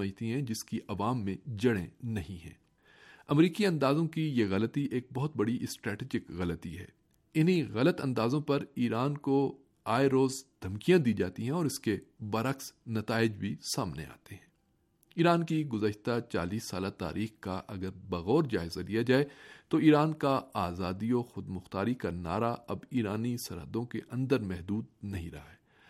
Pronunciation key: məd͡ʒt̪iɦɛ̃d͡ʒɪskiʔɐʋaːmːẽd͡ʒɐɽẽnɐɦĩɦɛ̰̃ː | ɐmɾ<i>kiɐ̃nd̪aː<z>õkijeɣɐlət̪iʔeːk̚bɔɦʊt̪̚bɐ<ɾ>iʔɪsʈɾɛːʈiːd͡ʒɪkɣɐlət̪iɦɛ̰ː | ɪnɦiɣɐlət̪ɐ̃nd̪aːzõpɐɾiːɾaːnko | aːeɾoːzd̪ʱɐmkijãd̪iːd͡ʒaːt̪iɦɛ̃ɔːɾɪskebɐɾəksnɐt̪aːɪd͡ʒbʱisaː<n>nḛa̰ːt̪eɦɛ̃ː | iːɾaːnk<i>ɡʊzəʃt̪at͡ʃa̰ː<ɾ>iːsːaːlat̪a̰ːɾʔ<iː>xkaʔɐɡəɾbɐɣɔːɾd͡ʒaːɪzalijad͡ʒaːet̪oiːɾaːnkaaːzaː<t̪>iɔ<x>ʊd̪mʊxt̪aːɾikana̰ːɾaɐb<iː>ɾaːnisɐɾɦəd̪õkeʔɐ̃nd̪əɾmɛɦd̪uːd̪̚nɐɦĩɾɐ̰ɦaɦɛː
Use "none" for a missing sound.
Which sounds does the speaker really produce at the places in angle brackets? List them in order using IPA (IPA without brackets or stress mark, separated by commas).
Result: iː, z, ɽ, m, i, l, iː, d̪, x, iː